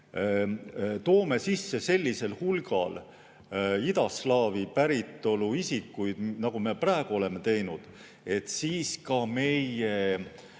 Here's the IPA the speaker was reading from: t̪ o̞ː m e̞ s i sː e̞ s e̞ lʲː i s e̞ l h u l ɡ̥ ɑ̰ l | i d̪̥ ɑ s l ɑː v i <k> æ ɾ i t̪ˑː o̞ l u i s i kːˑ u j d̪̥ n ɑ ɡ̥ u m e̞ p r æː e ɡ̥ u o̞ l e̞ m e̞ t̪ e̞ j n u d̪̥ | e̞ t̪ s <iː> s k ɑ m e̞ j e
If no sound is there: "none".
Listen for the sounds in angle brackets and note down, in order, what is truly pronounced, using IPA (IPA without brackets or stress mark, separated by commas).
p, iː